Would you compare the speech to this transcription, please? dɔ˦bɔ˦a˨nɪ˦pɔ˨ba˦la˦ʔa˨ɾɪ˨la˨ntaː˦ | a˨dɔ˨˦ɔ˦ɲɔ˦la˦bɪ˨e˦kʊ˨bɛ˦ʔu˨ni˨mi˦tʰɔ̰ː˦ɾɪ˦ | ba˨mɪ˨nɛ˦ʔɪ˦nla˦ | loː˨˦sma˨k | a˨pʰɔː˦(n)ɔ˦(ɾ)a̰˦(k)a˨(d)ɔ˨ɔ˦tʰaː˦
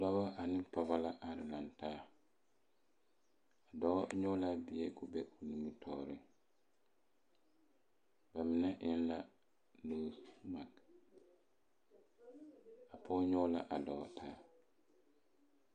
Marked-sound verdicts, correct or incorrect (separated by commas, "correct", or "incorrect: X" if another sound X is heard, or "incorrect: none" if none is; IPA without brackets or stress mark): incorrect: ɲ, incorrect: l, incorrect: ʔ, correct